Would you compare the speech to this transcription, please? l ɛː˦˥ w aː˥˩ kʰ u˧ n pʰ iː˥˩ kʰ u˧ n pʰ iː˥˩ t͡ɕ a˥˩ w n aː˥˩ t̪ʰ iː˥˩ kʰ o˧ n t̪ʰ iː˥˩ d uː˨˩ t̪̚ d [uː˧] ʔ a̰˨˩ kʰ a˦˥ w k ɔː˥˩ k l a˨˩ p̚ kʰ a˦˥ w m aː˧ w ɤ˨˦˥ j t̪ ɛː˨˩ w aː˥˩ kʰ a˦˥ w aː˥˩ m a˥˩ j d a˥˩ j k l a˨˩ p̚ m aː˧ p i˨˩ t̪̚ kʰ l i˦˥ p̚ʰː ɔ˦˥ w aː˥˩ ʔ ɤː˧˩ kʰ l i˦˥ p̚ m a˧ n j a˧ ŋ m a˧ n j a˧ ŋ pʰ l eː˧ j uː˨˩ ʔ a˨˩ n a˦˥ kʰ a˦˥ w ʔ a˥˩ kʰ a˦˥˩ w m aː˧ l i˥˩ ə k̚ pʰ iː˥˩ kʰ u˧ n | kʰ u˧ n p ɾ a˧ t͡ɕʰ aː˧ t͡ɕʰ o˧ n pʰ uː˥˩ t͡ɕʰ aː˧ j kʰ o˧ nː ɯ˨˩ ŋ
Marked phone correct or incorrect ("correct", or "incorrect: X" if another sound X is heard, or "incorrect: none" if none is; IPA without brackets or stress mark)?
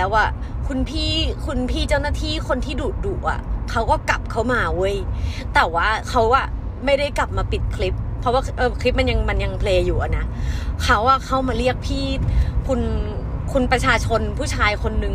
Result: incorrect: uː˨˩